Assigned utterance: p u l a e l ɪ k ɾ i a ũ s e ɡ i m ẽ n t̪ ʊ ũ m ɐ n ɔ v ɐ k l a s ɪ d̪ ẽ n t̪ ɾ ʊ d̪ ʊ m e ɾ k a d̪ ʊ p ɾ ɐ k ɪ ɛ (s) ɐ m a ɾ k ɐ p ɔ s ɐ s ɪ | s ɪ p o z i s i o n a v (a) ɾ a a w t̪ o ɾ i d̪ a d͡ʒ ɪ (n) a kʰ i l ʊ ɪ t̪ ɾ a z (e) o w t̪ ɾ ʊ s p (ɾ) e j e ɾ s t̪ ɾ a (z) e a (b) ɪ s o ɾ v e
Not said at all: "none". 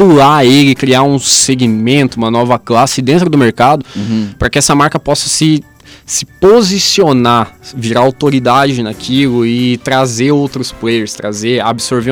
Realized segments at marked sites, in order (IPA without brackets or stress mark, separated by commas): s, i, n, e, l, z, b